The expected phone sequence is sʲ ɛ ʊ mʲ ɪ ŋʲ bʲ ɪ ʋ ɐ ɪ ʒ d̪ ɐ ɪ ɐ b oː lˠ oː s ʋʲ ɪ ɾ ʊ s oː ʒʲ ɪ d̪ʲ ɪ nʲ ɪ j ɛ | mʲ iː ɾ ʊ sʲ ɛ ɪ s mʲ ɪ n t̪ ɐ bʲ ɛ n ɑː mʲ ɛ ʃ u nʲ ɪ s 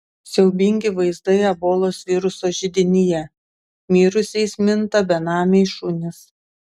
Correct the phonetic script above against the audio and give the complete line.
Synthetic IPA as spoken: sʲ ɛ ʊ bʲ ɪ ŋʲ ɡʲ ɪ ʋ ɐ ɪ z d̪ ɐ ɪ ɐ b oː lˠ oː s ʋʲ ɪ ɾ ʊ s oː ʒʲ ɪ d̪ʲ ɪ nʲ ɪ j ɛ | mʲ iː ɾ ʊ sʲ ɛ ɪ s mʲ ɪ n t̪ ɐ bʲ ɛ n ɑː mʲ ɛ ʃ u nʲ ɪ s